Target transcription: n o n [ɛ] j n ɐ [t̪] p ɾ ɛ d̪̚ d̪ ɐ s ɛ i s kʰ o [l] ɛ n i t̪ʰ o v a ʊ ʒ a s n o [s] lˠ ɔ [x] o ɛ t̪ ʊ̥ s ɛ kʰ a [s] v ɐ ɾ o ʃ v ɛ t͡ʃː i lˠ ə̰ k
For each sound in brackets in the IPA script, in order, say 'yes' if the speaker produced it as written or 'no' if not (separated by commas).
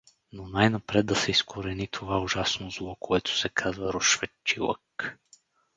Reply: no, no, no, no, no, no